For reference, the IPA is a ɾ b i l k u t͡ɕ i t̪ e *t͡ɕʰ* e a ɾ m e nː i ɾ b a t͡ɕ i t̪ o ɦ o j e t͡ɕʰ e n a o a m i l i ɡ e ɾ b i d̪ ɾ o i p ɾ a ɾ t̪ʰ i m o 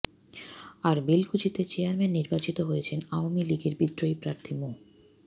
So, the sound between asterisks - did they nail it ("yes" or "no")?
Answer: no